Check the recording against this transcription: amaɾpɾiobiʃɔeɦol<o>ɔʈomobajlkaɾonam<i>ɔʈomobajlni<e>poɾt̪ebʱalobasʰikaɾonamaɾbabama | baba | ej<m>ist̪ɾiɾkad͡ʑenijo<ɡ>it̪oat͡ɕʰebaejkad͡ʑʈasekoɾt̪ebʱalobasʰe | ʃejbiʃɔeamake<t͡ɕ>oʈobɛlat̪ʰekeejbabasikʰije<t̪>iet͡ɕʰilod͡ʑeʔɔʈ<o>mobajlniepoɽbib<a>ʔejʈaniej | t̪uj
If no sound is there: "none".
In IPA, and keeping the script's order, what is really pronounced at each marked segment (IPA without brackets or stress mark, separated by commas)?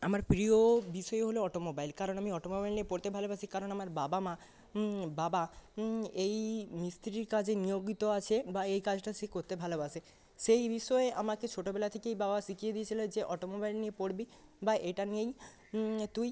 o, i, e, m, ɡ, t͡ɕʰ, d̪, o, a